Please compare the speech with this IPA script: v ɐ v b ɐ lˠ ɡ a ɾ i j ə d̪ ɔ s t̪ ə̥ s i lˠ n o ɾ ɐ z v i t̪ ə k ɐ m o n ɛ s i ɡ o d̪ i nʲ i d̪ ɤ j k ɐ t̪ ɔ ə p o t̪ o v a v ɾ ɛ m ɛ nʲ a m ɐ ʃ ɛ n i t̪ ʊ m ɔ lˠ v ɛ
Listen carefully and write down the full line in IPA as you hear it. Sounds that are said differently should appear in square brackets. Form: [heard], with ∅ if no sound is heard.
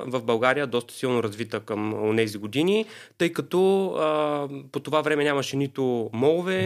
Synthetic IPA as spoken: v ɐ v b ɐ lˠ ɡ a ɾ i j ə d̪ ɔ s t̪ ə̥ s i lˠ n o ɾ ɐ z v i t̪ ə k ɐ m o n ɛ [z] i ɡ o d̪ i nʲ i [t̪] ɤ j k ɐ t̪ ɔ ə p o t̪ o v a v ɾ ɛ m ɛ nʲ a m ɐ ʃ ɛ n i t̪ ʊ m ɔ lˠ v ɛ